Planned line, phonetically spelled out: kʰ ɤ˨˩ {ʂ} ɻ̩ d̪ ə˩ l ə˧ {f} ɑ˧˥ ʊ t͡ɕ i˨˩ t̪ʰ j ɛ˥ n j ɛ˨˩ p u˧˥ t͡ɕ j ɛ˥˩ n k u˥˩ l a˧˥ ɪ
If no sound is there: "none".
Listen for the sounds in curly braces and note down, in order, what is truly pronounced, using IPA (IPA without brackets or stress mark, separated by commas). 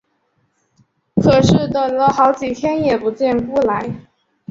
ʂ, x